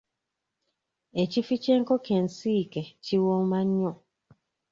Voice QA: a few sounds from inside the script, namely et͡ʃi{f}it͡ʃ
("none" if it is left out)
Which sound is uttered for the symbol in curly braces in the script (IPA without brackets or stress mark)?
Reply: f